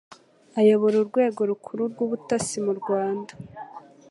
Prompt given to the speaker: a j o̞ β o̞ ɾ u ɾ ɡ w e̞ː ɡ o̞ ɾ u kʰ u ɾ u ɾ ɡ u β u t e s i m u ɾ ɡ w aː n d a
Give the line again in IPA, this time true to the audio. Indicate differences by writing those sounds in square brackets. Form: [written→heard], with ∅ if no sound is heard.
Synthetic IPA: a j o̞ β o̞ ɾ u ɾ ɡ w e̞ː ɡ o̞ ɾ u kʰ u ɾ u ɾ ɡ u β u t [e→a] s i m u ɾ ɡ w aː n d a